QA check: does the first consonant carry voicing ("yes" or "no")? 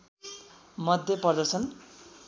yes